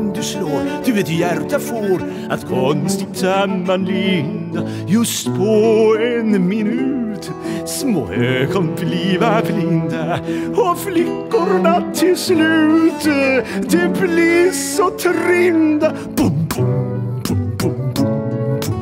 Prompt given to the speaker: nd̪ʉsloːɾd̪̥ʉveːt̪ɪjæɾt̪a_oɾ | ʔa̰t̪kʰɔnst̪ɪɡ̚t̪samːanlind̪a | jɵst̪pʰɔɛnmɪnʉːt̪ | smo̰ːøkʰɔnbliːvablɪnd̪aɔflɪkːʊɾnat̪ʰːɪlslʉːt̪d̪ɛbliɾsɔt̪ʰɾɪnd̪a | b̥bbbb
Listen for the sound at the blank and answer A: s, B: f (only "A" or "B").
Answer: B